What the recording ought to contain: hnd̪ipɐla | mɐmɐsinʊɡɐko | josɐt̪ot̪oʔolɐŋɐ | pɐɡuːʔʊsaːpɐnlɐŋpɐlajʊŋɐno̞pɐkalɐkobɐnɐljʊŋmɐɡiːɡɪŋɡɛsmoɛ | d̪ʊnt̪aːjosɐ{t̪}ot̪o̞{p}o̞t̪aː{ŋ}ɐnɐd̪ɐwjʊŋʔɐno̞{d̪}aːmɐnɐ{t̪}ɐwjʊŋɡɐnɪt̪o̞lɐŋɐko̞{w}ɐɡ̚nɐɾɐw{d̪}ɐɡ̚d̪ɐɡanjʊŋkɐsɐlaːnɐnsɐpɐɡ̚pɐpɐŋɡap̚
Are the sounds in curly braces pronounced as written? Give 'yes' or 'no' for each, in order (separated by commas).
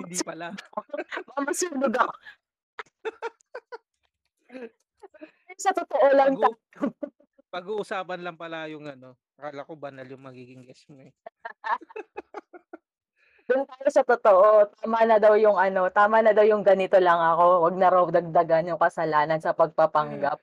yes, no, no, no, no, yes, yes